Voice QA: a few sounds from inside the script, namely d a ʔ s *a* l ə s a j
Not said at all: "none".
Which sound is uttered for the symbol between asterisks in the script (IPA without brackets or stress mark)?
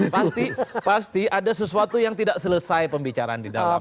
ə